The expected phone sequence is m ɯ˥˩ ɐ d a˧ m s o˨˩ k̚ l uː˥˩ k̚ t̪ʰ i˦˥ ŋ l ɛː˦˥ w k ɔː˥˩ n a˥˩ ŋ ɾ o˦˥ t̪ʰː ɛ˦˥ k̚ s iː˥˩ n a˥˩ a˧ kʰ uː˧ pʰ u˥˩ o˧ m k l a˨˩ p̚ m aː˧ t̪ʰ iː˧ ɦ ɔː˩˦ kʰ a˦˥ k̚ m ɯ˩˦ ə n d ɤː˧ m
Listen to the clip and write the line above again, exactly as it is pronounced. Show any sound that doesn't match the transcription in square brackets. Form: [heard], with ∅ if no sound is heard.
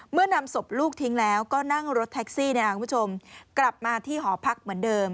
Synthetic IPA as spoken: m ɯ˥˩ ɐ [n] a˧ m s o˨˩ [p̚] l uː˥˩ k̚ t̪ʰ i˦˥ ŋ l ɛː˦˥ w k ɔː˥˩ n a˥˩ ŋ ɾ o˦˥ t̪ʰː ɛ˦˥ k̚ s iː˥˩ n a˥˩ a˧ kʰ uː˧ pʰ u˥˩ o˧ m k l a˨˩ p̚ m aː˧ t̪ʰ [iː˥˩] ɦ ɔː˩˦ [pʰ] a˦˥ k̚ m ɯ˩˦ ə n d ɤː˧ m